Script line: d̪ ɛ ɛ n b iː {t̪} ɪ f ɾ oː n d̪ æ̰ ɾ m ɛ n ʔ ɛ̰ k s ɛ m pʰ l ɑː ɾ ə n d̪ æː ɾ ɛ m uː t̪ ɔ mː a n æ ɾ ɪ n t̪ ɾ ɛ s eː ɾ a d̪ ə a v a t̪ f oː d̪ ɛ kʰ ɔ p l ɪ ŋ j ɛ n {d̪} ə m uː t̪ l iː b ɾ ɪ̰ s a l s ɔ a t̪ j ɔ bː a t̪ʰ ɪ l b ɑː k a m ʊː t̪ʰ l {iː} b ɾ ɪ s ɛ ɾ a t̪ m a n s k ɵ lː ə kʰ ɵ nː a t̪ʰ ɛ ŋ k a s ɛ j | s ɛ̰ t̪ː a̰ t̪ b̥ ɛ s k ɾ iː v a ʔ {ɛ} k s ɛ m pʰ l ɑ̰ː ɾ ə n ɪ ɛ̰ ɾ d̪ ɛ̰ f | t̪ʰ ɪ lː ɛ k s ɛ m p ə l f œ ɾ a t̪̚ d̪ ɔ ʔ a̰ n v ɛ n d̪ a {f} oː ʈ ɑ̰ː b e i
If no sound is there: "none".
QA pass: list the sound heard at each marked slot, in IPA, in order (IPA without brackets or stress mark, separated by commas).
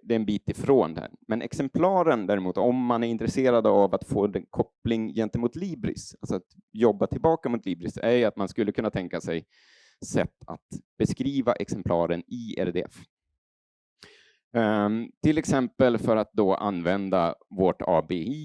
t̪, t̪, iː, ɛ, v